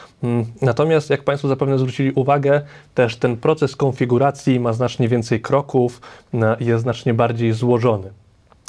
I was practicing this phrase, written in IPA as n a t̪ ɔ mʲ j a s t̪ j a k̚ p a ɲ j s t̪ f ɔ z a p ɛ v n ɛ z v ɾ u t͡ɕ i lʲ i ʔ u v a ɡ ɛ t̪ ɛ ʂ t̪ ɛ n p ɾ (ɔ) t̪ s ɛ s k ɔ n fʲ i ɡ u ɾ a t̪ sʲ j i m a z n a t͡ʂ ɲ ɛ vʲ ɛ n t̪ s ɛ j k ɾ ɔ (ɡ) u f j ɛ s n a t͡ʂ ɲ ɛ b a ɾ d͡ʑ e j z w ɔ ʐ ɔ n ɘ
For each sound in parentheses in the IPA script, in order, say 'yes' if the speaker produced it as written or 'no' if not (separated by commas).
yes, no